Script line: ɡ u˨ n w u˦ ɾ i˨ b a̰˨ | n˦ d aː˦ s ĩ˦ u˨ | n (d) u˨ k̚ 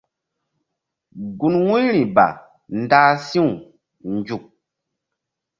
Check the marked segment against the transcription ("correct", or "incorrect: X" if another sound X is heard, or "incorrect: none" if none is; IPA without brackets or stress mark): incorrect: d͡ʒ